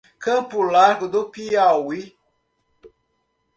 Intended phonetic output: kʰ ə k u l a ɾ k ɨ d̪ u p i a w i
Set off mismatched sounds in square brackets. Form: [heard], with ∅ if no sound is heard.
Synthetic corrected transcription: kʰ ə [p] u l a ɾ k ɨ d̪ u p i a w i

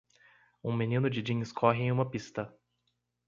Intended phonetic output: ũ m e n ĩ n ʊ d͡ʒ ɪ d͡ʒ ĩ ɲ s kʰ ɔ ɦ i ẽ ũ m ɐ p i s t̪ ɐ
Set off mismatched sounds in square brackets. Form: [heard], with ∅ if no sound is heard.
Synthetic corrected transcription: ũ m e n ĩ n ʊ d͡ʒ ɪ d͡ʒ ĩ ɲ s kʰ ɔ ɦ [ɪ] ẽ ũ m ɐ p i s t̪ ɐ

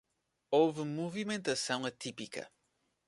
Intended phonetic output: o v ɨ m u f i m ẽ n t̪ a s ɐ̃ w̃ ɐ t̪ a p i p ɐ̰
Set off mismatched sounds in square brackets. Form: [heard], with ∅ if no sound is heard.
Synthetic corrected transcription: o v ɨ m u [v] i m ẽ n t̪ [ɐ] s ɐ̃ w̃ ɐ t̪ [i] p i [k] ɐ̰

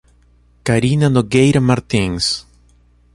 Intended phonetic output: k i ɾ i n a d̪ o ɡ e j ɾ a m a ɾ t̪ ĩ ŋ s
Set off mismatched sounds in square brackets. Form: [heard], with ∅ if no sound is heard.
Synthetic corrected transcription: k [a] ɾ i n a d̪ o ɡ e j ɾ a m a ɾ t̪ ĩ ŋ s

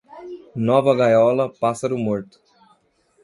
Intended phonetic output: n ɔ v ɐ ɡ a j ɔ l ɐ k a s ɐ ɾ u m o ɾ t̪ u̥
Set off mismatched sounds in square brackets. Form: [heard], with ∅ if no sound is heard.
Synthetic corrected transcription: n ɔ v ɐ ɡ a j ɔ l ɐ [p] a s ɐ ɾ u m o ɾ t̪ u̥

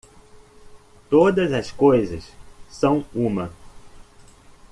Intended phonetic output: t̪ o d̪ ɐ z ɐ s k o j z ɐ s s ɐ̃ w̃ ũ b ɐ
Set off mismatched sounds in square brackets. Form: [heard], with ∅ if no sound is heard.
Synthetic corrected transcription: t̪ o d̪ ɐ z ɐ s k o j z ɐ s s ɐ̃ w̃ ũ [m] ɐ

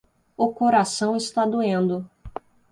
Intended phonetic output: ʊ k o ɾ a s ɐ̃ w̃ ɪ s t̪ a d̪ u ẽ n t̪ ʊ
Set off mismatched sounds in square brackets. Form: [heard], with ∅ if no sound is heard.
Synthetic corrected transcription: ʊ k o ɾ a s ɐ̃ w̃ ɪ s t̪ a d̪ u ẽ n [d̪] ʊ

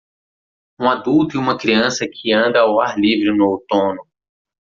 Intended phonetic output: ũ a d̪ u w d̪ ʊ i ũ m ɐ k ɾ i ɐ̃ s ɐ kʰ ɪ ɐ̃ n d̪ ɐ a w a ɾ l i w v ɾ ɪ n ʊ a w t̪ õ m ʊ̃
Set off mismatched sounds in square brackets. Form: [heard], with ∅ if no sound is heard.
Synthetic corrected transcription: ũ a d̪ u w [t̪] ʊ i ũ m ɐ k ɾ i ɐ̃ s ɐ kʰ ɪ ɐ̃ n d̪ ɐ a w a ɾ l i [∅] v ɾ ɪ n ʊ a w t̪ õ [n] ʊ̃

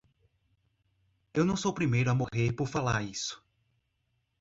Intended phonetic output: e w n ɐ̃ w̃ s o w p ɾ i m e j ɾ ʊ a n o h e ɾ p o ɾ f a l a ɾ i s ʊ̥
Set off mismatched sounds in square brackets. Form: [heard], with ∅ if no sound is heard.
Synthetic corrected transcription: e w n ɐ̃ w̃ s o w p ɾ i m e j ɾ ʊ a [m] o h e ɾ p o ɾ f a l a ɾ i s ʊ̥

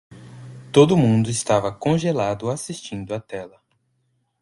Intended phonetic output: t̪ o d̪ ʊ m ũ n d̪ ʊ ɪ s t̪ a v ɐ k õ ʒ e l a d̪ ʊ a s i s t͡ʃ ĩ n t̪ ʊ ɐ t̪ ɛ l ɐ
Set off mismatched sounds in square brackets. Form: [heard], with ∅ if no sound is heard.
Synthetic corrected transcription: t̪ o d̪ ʊ m ũ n d̪ ʊ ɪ s t̪ a v ɐ k õ ʒ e l a d̪ ʊ a s i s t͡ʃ ĩ n [d̪] ʊ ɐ t̪ ɛ l ɐ

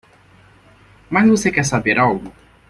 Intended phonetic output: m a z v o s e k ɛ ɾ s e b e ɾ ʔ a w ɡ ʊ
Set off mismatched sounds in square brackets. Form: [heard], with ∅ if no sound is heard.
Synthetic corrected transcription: m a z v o s e k ɛ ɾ s [a] b e ɾ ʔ a w ɡ ʊ

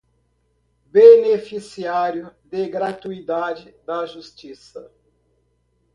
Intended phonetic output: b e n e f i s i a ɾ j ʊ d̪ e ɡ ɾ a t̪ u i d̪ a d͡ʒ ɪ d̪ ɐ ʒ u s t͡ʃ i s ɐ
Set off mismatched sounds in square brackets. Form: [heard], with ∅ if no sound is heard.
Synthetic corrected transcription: b e n e f i s i a ɾ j ʊ d̪ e ɡ ɾ a t̪ u i d̪ a d͡ʒ ɪ d̪ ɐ ʒ u s t͡ʃ i s ɐ

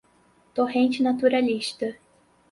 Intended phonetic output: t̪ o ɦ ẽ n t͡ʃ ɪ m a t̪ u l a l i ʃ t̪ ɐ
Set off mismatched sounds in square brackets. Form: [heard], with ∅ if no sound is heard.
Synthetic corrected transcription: t̪ o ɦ ẽ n t͡ʃ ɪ [n] a t̪ u [ɾ] a l i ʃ t̪ ɐ

